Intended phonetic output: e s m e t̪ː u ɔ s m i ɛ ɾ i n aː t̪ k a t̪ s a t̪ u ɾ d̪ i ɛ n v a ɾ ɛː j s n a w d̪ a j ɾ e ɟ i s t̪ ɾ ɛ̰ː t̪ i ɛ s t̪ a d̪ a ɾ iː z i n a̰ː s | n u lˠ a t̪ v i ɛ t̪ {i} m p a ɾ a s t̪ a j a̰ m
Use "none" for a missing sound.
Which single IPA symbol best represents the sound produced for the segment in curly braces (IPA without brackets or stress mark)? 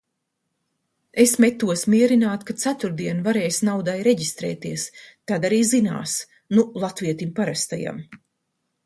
i